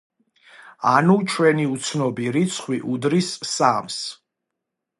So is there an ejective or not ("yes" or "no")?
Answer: no